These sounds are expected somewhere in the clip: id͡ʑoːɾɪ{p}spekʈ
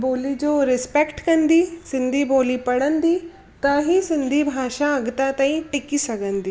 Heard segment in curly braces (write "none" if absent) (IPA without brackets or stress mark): none